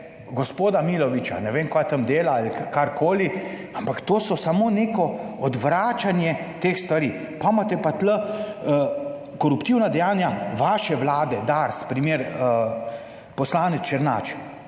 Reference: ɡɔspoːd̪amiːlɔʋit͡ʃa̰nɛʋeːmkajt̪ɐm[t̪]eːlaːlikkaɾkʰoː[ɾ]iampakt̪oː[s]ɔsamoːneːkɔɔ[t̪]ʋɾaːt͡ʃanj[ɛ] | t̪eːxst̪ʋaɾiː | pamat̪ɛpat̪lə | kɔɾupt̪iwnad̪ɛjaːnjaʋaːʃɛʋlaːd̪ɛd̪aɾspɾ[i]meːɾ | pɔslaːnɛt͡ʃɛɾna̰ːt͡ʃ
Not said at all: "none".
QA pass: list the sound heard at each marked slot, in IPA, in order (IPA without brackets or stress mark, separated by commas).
d̪, l, s, d̪, ɛ, i